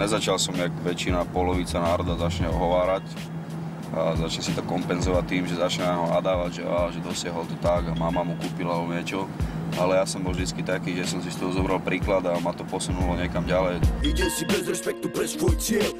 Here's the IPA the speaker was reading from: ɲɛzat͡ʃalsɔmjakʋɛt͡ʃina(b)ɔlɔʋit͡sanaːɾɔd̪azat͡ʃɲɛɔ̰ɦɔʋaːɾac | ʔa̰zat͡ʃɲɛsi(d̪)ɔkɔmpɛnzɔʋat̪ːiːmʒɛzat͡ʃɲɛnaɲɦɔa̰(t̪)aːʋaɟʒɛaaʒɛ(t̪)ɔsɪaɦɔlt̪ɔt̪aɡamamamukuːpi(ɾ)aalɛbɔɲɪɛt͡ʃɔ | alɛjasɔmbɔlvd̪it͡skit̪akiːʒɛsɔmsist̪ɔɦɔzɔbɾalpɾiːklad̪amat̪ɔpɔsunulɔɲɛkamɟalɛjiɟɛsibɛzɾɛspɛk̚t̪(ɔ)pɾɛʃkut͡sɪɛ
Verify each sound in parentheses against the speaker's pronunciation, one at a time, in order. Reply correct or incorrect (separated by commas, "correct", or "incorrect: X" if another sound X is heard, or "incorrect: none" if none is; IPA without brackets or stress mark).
incorrect: p, incorrect: t̪, incorrect: d̪, incorrect: d̪, incorrect: l, incorrect: u